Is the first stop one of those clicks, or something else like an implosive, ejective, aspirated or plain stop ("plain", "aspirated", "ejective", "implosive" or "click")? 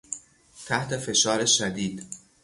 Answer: aspirated